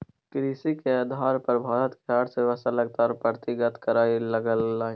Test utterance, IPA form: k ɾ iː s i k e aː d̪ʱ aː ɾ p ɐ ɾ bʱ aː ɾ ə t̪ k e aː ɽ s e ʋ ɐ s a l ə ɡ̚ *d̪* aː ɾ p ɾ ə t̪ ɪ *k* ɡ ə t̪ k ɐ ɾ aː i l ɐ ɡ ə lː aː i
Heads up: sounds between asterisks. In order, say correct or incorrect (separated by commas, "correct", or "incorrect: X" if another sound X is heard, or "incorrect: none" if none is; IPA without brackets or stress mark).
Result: incorrect: t̪, incorrect: none